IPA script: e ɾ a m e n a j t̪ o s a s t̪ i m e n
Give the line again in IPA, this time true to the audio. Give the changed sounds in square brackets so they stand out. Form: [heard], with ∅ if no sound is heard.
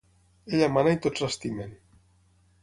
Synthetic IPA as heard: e [ʎ] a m [a] n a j t̪ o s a s t̪ i m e n